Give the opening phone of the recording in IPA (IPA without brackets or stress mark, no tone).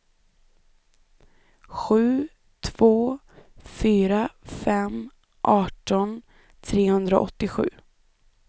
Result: ɧ